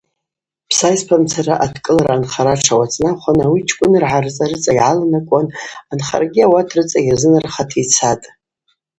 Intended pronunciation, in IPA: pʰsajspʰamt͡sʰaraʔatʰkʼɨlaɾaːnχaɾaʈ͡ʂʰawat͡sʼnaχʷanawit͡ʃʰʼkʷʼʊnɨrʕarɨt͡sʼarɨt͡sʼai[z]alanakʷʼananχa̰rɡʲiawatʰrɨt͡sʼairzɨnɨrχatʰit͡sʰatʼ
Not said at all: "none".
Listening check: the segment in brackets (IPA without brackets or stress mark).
ʕ